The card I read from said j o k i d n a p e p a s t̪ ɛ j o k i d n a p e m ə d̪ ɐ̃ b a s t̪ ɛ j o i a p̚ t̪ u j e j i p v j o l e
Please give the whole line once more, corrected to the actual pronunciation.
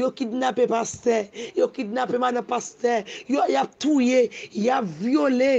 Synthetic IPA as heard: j o k i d n a p e p a s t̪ ɛ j o k i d n a p e m a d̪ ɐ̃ p a s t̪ ɛ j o j a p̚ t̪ u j e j a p v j o l e